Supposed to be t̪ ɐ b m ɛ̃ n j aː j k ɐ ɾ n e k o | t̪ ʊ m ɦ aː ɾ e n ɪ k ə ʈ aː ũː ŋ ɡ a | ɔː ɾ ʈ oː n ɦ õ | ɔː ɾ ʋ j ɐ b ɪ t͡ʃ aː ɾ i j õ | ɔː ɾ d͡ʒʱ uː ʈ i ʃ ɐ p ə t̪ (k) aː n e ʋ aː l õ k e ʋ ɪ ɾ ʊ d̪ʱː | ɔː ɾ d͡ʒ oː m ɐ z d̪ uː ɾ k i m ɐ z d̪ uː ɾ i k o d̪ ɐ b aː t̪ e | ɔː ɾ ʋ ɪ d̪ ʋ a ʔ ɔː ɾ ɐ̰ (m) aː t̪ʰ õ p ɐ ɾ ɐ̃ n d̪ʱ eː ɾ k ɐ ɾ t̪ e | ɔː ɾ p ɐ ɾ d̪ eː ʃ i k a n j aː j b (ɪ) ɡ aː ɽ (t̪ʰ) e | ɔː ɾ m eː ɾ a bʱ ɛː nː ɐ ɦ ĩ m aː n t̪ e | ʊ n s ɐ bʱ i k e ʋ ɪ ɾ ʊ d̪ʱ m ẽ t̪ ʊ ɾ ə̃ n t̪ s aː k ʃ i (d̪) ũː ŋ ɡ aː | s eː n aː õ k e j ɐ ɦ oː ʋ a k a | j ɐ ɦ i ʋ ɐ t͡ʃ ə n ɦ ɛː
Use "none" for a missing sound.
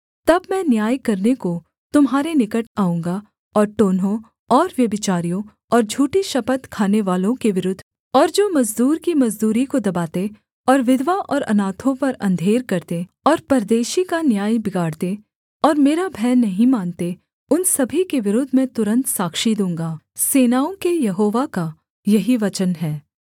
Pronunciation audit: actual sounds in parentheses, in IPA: kʰ, n, ɪ, t̪, d̪

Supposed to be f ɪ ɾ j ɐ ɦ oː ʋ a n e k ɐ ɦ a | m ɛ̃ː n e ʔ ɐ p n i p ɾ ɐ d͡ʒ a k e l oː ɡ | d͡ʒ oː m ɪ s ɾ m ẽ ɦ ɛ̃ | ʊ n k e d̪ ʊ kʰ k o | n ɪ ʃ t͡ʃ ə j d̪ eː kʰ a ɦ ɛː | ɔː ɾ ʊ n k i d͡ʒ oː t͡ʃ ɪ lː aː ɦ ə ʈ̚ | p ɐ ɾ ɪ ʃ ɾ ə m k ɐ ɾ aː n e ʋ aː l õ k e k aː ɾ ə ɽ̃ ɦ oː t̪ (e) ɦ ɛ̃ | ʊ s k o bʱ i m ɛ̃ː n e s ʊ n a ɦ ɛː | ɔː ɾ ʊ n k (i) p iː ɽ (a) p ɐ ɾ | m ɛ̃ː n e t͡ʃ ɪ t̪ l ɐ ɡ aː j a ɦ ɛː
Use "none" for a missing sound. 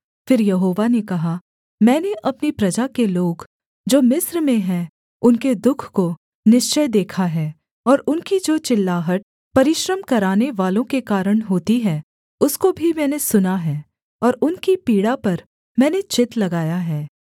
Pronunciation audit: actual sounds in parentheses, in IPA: i, i, a

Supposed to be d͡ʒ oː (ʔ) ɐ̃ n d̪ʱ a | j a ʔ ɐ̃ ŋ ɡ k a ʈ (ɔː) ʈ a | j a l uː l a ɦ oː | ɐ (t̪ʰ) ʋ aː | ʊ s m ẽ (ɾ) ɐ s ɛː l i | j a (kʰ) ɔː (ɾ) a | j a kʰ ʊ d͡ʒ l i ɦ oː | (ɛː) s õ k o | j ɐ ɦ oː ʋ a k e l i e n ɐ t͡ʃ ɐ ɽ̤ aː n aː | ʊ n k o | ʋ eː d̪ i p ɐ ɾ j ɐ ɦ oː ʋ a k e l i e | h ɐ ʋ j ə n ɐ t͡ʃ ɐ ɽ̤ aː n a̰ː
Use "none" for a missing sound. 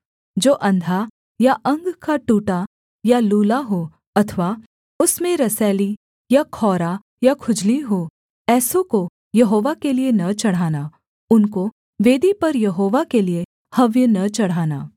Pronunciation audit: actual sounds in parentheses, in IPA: ʔ, uː, t̪ʰ, ɾ, kʰ, ɾ, ɛː

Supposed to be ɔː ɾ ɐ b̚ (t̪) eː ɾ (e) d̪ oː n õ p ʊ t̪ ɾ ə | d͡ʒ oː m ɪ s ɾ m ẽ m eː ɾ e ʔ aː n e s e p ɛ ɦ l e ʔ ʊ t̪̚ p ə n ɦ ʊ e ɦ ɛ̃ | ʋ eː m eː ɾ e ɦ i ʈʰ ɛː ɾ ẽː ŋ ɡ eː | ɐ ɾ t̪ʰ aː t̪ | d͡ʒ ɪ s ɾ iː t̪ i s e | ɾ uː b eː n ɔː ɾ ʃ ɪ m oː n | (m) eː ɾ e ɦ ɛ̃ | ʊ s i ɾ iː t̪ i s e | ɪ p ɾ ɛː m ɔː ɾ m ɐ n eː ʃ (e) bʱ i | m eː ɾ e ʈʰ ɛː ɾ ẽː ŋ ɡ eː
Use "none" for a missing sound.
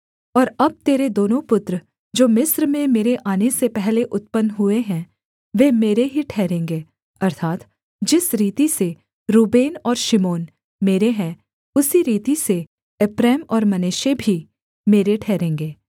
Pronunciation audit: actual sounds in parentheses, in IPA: t̪, e, m, e

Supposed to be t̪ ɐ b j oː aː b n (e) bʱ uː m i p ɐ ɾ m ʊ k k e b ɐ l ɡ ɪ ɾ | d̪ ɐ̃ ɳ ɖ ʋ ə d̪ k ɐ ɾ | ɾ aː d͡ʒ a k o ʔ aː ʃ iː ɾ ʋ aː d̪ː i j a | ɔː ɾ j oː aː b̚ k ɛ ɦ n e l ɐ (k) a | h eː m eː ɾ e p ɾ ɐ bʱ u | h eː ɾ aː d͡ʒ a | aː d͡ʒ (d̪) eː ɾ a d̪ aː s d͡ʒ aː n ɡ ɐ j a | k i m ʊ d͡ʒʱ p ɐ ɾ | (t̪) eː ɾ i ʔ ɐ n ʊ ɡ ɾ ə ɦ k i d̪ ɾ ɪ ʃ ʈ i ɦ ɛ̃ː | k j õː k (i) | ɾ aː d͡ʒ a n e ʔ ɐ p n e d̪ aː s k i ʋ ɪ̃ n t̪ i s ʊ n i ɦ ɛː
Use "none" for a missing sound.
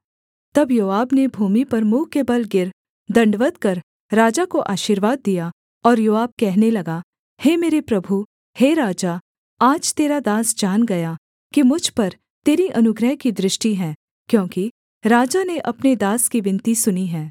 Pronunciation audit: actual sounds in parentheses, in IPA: e, ɡ, t̪, t̪, i

